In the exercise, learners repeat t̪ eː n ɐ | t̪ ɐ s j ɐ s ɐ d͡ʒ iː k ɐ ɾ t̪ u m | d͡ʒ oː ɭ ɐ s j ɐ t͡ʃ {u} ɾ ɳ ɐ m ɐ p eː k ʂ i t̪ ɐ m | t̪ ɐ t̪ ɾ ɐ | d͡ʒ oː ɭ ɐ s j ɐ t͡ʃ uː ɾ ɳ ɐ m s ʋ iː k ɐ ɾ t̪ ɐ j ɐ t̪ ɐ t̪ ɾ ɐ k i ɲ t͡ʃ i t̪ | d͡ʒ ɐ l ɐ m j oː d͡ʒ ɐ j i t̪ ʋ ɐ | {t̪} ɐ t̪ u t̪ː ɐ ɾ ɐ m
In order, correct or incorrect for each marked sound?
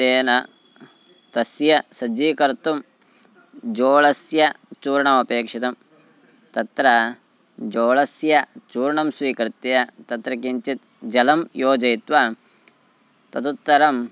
incorrect: uː, correct

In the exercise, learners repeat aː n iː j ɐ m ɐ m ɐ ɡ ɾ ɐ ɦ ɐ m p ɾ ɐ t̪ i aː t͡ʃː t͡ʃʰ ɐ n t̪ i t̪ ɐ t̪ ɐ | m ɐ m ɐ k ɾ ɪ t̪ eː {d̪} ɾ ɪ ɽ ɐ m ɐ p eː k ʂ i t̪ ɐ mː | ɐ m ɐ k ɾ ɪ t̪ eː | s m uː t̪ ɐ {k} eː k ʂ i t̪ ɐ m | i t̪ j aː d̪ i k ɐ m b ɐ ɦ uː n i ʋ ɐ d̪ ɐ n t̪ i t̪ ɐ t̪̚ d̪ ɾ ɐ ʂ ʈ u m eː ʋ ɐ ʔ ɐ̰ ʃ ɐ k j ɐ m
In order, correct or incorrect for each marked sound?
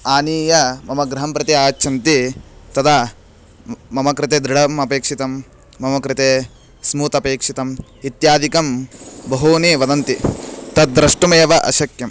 correct, incorrect: p

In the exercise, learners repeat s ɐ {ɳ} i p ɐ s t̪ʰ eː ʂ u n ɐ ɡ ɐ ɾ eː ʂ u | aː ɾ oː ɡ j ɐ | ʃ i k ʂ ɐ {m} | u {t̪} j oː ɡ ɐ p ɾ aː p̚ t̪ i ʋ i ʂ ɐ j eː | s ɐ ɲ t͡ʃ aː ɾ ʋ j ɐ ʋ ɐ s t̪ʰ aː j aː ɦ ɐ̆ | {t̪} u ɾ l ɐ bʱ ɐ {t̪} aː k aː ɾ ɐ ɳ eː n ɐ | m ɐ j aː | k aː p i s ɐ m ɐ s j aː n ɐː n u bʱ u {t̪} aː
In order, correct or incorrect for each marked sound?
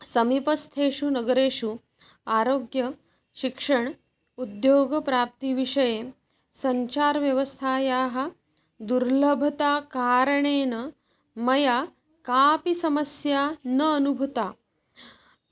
incorrect: m, incorrect: ɳ, incorrect: d̪, incorrect: d̪, correct, correct

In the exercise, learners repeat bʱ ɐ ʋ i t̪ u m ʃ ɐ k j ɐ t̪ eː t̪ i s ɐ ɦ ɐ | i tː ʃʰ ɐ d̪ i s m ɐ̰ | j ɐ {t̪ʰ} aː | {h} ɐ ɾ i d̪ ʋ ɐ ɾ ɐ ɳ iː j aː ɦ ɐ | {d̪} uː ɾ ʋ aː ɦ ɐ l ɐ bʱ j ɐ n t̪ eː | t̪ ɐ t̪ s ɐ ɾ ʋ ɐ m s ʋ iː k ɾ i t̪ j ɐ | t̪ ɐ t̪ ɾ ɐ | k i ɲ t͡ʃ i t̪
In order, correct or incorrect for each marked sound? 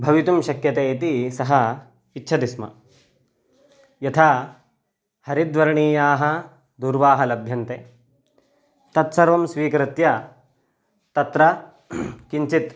correct, correct, correct

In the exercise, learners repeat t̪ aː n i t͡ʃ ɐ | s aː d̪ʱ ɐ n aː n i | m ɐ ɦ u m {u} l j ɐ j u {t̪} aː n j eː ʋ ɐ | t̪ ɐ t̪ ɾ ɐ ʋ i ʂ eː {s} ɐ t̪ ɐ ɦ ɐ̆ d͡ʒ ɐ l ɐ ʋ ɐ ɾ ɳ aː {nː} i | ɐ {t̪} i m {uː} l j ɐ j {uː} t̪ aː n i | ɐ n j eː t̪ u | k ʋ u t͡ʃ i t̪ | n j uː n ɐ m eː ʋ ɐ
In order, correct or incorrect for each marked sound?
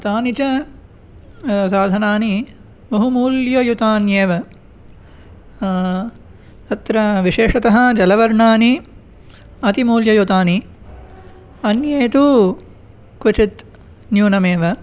incorrect: uː, correct, incorrect: ʂ, incorrect: n, correct, correct, incorrect: u

